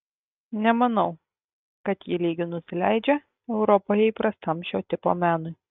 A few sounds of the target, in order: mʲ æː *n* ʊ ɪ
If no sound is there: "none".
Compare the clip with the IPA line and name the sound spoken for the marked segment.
n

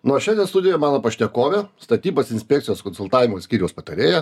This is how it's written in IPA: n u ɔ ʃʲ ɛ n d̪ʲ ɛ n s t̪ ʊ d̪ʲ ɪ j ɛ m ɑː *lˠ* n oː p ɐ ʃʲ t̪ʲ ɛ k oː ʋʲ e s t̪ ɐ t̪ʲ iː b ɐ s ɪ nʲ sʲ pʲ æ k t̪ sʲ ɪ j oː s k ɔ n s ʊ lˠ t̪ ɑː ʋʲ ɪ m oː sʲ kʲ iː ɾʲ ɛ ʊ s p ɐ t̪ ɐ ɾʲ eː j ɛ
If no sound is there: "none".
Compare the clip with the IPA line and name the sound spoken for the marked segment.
none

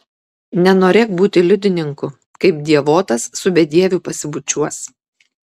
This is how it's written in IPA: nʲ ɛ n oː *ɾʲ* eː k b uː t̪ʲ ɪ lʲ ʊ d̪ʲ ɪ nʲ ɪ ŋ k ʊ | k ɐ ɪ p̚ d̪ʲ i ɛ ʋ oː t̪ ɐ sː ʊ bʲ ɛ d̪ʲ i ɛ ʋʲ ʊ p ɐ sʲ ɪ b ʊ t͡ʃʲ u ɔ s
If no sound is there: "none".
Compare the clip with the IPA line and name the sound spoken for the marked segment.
ɾʲ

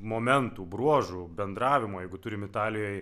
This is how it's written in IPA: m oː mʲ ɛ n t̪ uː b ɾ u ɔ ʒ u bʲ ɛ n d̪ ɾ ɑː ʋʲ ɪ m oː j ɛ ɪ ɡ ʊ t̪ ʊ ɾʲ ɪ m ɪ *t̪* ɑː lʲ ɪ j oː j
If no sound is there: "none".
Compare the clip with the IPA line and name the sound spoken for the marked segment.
t̪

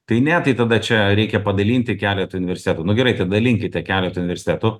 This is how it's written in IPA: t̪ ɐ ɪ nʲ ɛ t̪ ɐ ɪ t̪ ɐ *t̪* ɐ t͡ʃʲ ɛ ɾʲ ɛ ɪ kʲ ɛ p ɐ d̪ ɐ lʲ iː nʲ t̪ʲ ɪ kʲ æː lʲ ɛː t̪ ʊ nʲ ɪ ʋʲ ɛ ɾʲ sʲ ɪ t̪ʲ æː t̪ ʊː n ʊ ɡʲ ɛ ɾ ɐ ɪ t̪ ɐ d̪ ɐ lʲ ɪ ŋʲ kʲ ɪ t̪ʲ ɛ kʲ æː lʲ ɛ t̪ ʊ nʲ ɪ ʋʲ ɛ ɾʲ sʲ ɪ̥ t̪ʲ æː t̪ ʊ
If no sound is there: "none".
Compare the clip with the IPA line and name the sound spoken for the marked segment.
d̪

